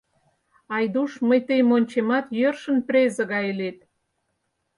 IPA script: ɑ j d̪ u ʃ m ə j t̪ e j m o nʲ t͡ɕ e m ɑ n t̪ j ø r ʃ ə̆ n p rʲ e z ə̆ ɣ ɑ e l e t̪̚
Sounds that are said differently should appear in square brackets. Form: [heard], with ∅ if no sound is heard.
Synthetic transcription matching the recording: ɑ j d̪ u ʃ m ə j t̪ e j m o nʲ t͡ɕ e m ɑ [∅] t̪ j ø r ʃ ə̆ n p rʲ e z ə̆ ɣ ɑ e l e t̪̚